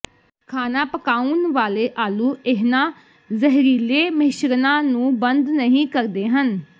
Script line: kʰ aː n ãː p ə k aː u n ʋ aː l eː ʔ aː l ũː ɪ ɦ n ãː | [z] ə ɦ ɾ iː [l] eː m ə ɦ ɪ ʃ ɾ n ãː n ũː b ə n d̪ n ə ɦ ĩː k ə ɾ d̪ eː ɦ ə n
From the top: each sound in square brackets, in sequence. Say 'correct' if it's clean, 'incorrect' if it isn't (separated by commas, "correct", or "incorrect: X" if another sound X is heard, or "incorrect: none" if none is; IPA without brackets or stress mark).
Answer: correct, correct